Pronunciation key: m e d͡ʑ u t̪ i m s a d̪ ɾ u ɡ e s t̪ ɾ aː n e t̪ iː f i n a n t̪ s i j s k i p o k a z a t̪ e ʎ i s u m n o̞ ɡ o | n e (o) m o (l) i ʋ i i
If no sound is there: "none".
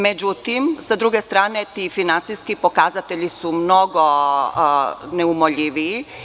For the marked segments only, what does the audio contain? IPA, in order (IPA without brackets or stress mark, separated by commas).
u, ʎ